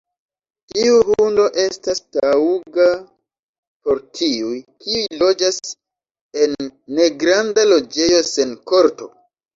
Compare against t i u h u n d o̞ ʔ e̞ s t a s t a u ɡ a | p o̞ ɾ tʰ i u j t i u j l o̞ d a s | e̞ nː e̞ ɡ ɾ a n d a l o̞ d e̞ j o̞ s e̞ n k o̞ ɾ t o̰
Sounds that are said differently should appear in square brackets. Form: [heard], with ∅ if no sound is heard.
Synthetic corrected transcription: t i u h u n d o̞ ʔ e̞ s t a s t a u ɡ a | p o̞ ɾ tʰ i u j [k] i u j l o̞ [d͡ʒ] a s | e̞ nː e̞ ɡ ɾ a n d a l o̞ [d͡ʒ] e̞ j o̞ s e̞ n k o̞ ɾ t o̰